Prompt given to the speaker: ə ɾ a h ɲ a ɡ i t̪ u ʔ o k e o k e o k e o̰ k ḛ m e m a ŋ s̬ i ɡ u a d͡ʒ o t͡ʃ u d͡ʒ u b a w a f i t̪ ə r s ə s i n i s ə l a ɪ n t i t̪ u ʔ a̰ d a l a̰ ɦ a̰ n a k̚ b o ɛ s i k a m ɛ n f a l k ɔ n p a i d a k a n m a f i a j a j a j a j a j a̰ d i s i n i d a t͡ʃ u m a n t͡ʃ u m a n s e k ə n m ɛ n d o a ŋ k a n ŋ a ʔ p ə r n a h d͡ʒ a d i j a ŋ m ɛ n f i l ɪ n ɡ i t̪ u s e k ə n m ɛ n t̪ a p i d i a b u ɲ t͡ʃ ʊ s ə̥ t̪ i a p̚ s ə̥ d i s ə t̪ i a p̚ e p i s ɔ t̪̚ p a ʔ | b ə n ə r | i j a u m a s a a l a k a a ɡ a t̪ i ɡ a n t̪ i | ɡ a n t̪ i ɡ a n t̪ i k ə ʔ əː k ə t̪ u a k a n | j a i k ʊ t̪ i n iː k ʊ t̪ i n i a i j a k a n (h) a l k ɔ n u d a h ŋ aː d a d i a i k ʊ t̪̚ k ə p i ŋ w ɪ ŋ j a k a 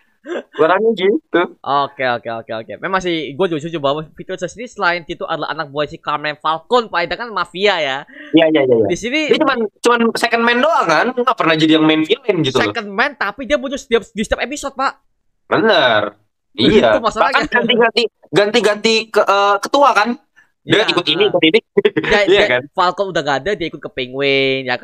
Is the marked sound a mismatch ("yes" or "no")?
yes